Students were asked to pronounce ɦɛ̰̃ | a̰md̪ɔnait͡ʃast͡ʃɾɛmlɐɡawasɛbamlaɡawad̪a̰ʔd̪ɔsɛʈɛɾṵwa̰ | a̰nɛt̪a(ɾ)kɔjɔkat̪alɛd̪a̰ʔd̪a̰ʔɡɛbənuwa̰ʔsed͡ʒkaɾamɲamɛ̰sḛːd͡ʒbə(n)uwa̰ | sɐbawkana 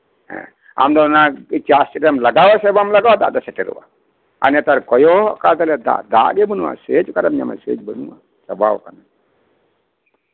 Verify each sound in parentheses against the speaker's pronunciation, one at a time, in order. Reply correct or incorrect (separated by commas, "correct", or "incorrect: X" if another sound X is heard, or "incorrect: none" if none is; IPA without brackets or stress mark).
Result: correct, correct